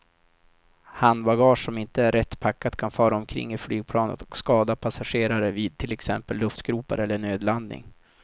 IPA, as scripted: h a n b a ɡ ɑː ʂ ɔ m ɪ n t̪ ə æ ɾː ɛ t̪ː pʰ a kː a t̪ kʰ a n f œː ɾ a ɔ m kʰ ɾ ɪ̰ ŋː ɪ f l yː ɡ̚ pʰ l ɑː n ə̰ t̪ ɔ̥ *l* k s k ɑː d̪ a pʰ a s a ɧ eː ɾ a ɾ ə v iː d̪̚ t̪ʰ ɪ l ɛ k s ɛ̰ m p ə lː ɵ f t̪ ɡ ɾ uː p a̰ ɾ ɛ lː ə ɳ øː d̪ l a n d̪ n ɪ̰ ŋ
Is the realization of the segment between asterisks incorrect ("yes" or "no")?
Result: yes